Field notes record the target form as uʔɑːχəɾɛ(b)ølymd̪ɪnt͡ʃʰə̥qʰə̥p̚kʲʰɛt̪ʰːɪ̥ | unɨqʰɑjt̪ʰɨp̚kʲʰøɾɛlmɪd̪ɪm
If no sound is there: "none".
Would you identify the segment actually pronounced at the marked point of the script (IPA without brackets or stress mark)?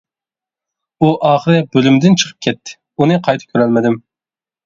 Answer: b